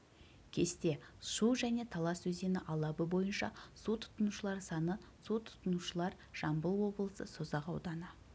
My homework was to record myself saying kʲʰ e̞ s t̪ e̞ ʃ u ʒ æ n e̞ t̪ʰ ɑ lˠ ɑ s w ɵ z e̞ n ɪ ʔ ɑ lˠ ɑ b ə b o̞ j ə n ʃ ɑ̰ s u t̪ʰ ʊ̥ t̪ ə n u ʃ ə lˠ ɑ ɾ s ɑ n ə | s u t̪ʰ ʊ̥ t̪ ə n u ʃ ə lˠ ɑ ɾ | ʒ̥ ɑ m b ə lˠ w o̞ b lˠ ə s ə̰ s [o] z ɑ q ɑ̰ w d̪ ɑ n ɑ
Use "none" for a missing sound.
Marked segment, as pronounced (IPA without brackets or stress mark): o